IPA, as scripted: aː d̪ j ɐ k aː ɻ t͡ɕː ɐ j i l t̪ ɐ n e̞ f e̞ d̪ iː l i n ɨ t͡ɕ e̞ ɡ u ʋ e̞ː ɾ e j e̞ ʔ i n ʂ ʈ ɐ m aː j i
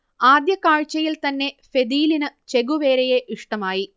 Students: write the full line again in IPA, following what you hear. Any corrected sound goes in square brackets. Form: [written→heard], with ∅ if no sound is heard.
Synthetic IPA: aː d̪ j ɐ k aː ɻ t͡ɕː ɐ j i l t̪ ɐ [n→nː] e̞ f e̞ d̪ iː l i n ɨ t͡ɕ e̞ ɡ u ʋ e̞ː ɾ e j e̞ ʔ i [n→∅] ʂ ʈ ɐ m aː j i